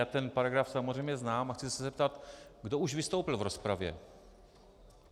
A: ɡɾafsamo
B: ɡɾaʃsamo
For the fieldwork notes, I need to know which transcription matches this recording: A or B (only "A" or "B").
A